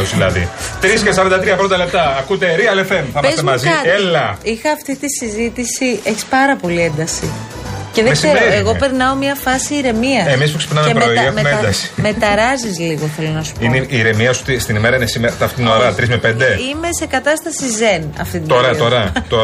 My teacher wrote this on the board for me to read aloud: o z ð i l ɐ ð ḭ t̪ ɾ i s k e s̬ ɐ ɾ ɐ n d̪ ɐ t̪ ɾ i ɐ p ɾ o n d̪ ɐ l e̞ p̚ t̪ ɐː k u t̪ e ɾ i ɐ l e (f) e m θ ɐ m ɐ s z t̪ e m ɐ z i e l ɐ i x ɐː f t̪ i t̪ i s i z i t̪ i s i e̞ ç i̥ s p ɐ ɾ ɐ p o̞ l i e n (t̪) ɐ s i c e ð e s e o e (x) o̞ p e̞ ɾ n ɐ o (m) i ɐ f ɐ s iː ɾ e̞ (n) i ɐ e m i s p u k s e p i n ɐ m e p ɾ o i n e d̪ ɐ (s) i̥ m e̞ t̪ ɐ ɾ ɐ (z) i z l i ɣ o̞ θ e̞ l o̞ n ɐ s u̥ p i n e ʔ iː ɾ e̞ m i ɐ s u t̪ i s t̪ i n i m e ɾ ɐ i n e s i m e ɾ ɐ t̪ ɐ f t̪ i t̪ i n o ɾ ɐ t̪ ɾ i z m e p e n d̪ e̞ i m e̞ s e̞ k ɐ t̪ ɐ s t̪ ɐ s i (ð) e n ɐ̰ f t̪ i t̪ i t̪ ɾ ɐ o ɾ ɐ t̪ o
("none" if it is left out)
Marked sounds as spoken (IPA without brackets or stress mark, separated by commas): f, d̪, ɣ, m, m, s, z, z